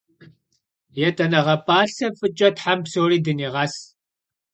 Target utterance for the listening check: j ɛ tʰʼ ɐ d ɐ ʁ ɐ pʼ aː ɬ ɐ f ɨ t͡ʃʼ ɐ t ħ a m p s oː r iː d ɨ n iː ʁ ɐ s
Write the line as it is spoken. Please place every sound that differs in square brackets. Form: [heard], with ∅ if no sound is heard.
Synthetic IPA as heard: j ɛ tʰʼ ɐ [n] ɐ ʁ ɐ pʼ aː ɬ ɐ f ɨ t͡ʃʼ ɐ t ħ a m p s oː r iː d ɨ n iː ʁ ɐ s